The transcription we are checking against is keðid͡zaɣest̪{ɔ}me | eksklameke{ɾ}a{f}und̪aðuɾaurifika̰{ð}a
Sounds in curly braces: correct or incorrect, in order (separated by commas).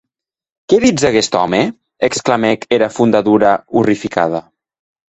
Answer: correct, correct, correct, correct